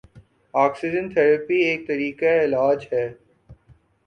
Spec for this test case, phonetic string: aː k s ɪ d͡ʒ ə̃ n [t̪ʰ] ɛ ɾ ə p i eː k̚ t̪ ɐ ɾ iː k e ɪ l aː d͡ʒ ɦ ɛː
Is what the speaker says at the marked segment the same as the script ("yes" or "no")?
yes